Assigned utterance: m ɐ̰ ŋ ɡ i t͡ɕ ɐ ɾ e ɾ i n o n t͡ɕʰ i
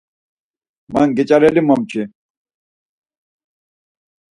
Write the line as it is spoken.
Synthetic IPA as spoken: m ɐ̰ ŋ ɡ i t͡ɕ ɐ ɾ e l i m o m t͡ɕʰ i